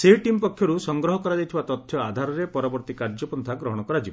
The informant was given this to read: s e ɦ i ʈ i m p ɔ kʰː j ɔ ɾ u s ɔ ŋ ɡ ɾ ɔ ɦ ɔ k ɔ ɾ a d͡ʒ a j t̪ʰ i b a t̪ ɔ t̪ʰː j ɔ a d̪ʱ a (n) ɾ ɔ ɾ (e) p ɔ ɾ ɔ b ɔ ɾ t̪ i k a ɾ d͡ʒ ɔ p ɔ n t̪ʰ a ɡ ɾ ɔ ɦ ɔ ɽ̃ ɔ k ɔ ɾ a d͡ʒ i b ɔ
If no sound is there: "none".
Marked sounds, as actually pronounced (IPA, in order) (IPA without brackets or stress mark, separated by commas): none, e